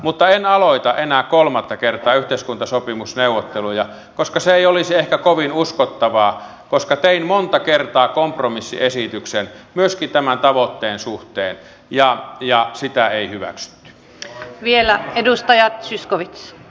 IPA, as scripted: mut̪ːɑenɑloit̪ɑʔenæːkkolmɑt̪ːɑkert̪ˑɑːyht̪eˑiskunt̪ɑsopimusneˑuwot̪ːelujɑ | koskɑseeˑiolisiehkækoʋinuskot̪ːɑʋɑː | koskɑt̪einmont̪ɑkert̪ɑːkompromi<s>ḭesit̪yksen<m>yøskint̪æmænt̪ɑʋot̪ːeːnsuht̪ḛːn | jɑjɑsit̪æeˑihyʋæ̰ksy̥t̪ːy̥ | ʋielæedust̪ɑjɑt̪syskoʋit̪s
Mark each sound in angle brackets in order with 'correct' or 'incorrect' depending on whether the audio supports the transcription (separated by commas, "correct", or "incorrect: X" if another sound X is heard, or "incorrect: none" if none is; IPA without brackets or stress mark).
incorrect: sː, correct